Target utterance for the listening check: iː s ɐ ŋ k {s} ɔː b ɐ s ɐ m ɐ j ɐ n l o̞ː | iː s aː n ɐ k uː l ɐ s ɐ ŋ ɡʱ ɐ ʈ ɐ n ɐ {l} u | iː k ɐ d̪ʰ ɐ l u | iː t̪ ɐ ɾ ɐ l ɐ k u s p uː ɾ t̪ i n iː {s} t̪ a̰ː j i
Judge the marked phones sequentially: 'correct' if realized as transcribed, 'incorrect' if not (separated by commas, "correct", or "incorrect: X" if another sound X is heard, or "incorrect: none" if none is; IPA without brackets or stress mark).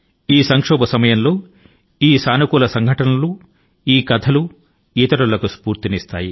incorrect: ʂ, correct, correct